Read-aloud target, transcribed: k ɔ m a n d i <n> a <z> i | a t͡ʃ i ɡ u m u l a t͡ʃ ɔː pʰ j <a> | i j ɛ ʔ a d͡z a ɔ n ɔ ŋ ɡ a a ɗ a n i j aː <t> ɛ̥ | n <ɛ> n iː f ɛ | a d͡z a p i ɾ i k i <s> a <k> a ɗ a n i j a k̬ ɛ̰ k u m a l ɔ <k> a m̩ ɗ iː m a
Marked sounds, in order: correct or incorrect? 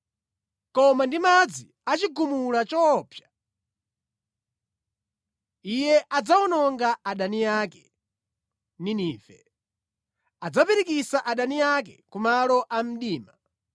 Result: incorrect, incorrect, correct, incorrect, incorrect, correct, incorrect, incorrect

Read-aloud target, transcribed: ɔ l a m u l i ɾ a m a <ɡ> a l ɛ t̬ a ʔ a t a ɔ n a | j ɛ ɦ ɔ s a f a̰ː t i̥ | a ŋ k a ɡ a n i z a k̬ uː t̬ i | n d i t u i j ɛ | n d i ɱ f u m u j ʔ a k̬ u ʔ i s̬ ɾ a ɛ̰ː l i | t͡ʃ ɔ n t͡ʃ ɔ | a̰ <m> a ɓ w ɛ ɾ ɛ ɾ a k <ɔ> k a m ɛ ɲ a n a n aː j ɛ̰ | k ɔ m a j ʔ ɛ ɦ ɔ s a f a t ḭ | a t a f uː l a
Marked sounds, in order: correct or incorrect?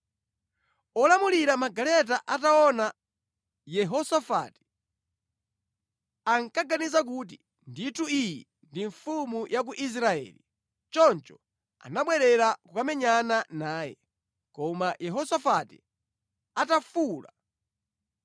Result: correct, incorrect, incorrect

